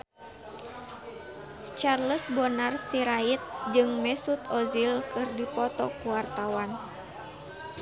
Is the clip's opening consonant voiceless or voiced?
voiceless